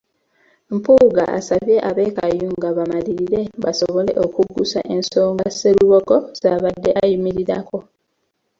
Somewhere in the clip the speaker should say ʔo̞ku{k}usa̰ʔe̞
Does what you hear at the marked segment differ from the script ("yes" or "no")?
yes